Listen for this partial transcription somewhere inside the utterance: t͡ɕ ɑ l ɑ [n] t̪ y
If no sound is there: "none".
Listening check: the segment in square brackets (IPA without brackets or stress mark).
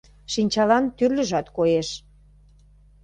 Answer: n